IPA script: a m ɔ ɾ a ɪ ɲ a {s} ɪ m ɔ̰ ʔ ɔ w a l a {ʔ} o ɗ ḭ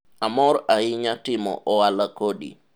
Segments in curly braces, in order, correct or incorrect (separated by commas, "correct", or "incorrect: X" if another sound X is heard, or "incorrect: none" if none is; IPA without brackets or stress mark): incorrect: t, incorrect: k